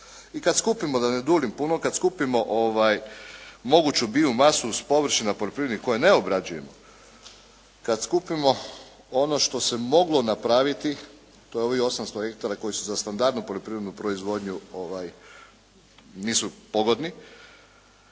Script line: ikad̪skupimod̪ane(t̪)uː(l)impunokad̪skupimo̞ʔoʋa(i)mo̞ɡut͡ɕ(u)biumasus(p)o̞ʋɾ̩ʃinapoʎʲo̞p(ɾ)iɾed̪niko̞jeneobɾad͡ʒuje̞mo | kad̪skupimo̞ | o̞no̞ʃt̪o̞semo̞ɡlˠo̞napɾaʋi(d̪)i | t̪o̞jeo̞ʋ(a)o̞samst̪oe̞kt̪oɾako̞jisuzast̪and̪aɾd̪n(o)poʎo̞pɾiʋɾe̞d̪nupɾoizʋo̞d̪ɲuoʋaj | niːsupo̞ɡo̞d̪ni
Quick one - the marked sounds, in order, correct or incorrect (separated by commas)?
incorrect, correct, incorrect, correct, correct, correct, incorrect, incorrect, incorrect